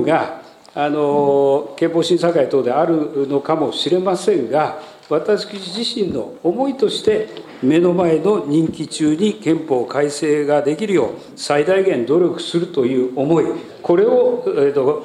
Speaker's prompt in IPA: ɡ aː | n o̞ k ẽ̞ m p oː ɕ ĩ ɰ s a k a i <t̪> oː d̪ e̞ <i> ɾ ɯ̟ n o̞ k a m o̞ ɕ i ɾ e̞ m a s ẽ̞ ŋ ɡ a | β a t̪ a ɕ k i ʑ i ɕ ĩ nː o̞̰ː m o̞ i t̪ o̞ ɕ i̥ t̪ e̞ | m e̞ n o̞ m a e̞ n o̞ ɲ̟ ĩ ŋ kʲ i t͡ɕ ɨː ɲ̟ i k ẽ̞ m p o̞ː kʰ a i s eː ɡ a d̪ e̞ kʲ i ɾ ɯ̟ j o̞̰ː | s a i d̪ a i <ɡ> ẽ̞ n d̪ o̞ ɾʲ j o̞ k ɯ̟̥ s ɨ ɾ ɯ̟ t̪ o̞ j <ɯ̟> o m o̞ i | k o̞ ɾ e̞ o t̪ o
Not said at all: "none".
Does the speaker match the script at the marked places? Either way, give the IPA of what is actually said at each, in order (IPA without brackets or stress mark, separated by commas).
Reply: t̪, a, ɡ, ɯ̟ː